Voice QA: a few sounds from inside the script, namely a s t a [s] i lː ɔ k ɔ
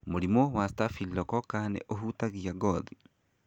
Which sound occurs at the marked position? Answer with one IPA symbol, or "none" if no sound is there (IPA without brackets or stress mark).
f